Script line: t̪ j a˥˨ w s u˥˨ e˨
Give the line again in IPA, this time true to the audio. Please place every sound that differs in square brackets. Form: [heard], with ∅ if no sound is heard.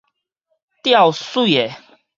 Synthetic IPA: t̪ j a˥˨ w s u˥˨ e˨